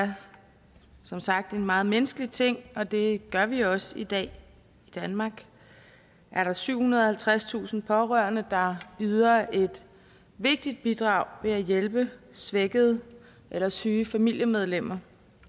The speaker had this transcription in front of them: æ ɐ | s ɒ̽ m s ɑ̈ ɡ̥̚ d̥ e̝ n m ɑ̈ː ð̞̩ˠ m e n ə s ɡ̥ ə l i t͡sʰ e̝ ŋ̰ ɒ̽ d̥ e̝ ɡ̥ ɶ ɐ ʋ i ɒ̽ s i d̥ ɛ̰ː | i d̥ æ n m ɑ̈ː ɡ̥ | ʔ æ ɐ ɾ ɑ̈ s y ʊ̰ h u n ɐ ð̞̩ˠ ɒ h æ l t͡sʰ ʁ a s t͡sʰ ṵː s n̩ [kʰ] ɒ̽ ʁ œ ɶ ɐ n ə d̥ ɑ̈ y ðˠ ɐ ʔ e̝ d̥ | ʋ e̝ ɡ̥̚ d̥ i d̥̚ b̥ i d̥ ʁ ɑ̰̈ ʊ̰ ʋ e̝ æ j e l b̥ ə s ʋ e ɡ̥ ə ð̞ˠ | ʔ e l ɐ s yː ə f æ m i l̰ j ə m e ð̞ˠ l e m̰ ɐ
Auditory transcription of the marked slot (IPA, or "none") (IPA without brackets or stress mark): pʰ